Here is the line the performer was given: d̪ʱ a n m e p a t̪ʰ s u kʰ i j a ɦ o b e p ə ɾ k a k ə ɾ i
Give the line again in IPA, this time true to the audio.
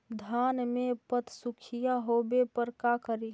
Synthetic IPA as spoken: d̪ʱ a n m e p ə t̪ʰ s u kʰ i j a ɦ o b e p ə ɾ k a k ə ɾ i